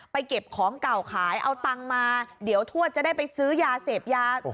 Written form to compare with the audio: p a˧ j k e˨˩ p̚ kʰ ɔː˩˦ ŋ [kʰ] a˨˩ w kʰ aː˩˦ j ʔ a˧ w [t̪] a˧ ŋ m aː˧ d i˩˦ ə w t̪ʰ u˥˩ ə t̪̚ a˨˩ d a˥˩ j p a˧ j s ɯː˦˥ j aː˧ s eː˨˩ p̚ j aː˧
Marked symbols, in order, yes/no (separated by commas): no, yes